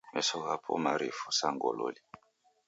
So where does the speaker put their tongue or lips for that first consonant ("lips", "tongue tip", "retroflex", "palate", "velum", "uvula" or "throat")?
lips